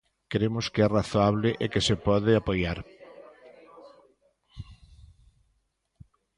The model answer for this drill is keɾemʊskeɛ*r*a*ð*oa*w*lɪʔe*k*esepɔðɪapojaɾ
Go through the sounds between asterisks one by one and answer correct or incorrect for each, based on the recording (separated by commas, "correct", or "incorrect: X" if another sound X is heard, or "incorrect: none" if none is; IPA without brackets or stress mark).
correct, incorrect: θ, incorrect: β, correct